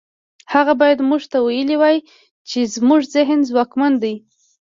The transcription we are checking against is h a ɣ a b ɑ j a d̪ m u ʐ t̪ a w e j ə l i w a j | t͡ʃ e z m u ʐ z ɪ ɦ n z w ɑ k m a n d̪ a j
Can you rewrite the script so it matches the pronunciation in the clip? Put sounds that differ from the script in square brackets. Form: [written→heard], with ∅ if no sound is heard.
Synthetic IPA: h a ɣ a b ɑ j a d̪ m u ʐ t̪ a w [e→a] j ə l i w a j | t͡ʃ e z m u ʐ z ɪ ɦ n z w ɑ k m a n d̪ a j